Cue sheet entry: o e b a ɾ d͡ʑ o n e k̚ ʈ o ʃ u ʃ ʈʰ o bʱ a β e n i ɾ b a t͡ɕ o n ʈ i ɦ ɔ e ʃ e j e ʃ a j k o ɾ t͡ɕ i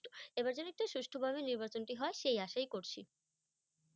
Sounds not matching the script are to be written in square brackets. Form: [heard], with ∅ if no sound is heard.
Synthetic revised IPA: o e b a ɾ d͡ʑ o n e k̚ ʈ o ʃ u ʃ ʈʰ o bʱ a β e n i ɾ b a t͡ɕ o n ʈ i ɦ ɔ e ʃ e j [a] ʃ a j k o ɾ [t͡ɕʰ] i